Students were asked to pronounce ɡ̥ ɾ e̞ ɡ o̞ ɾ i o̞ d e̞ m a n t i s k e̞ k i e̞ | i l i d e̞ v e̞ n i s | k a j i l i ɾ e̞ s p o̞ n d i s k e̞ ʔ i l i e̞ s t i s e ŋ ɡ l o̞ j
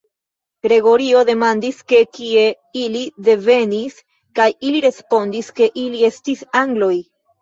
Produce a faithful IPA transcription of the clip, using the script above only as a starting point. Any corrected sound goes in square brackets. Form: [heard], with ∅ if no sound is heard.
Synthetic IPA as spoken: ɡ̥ ɾ e̞ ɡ o̞ ɾ i o̞ d e̞ m a n [d] i s k e̞ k i e̞ | i l i d e̞ v e̞ n i s | k a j i l i ɾ e̞ s p o̞ n d i s k e̞ ʔ i l i e̞ s t i s [a] ŋ ɡ l o̞ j